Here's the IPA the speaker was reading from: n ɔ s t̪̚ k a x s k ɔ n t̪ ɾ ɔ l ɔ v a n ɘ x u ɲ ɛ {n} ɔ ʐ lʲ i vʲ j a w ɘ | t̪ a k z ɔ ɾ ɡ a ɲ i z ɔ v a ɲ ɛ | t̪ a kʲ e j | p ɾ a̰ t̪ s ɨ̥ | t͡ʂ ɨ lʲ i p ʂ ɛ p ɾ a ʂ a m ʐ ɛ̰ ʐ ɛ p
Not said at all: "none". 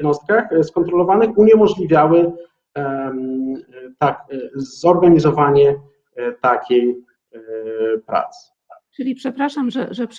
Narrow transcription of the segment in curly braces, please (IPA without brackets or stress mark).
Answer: m